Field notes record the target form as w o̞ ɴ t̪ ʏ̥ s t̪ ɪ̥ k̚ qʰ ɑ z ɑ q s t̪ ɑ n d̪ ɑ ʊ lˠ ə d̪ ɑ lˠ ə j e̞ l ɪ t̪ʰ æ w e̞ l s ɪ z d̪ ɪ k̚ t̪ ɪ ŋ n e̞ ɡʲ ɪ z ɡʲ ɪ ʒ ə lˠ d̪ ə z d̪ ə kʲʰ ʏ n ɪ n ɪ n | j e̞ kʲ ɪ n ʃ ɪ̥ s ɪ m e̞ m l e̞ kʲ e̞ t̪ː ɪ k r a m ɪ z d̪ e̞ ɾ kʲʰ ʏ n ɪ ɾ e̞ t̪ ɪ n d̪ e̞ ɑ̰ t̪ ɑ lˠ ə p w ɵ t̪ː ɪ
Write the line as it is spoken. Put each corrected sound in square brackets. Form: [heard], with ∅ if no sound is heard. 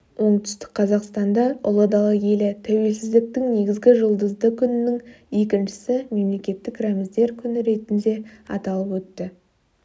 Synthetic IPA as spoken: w o̞ ɴ t̪ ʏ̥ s t̪ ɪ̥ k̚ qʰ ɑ z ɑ q s t̪ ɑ n d̪ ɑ ʊ lˠ ə d̪ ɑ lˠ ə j e̞ l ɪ t̪ʰ æ w e̞ l s ɪ z d̪ ɪ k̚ t̪ ɪ ŋ n e̞ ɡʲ ɪ z ɡʲ ɪ ʒ ə lˠ d̪ ə z d̪ ə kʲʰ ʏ n ɪ n ɪ [ŋ] | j e̞ kʲ ɪ n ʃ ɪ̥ s ɪ m e̞ m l e̞ kʲ e̞ t̪ː ɪ k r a m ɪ z d̪ e̞ ɾ kʲʰ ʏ n ɪ ɾ e̞ t̪ ɪ n d̪ e̞ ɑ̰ t̪ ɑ lˠ ə p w ɵ t̪ː ɪ